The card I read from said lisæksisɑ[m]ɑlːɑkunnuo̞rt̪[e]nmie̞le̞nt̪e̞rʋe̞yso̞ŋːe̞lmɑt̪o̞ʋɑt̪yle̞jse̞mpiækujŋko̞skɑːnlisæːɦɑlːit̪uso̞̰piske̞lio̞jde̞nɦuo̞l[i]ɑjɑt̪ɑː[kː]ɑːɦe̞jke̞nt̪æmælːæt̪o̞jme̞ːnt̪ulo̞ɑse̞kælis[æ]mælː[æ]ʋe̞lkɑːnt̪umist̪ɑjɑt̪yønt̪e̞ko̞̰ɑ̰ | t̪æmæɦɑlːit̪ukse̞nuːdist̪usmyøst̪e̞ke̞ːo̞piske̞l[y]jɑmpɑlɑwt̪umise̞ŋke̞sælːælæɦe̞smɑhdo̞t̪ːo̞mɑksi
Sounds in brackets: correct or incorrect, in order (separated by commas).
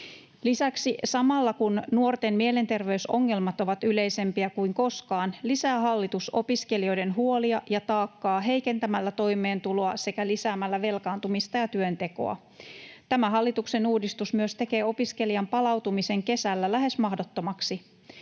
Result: correct, correct, correct, correct, incorrect, correct, incorrect